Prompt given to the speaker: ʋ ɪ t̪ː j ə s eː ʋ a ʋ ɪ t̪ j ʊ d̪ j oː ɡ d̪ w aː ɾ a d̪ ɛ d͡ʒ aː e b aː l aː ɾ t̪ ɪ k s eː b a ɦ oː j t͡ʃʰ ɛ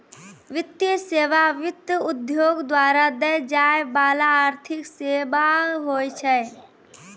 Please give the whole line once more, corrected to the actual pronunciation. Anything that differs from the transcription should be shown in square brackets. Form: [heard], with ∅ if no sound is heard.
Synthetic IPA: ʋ ɪ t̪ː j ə s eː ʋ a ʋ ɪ t̪ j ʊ d̪ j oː ɡ d̪ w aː ɾ a d̪ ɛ d͡ʒ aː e b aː l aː ɾ [t̪ʰ] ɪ k s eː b a ɦ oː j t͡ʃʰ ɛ